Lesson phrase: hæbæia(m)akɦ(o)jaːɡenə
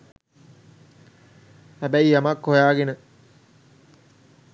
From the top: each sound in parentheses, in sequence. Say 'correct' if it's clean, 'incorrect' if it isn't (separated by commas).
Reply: correct, correct